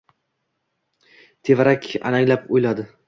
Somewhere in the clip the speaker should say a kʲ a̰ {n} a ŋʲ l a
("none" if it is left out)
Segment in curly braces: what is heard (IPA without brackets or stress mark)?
n